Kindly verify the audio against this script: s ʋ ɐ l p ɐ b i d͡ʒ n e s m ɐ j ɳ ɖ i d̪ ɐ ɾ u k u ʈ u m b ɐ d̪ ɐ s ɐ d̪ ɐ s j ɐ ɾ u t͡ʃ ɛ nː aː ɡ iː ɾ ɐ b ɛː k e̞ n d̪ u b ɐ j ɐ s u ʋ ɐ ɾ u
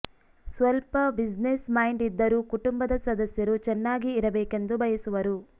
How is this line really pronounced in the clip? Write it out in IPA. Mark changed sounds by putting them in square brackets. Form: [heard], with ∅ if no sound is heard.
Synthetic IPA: s ʋ ɐ l p ɐ b i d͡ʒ n e s m ɐ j ɳ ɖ i [d̪ː] ɐ ɾ u k u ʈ u m b ɐ d̪ ɐ s ɐ d̪ ɐ s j ɐ ɾ u t͡ʃ ɛ nː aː ɡ iː ɾ ɐ b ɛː k e̞ n d̪ u b ɐ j ɐ s u ʋ ɐ ɾ u